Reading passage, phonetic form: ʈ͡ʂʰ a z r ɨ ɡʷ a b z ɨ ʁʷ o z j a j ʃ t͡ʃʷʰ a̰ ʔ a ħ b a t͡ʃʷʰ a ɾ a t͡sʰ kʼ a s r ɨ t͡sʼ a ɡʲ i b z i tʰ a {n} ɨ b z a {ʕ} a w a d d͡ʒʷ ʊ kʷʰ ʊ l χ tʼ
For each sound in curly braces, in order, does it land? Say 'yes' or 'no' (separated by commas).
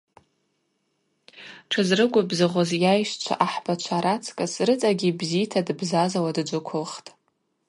no, no